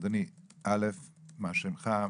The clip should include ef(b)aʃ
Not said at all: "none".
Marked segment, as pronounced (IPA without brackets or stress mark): m